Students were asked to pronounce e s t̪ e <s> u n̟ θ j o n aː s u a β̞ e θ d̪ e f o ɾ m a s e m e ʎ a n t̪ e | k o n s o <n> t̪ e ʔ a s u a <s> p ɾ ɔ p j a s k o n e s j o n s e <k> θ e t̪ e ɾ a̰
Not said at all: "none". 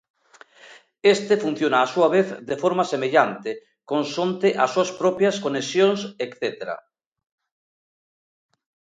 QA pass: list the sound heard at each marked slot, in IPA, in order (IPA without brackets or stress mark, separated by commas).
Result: f, n, s, k